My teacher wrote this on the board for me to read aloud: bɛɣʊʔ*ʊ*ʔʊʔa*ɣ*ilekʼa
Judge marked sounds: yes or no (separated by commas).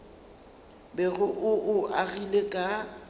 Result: yes, yes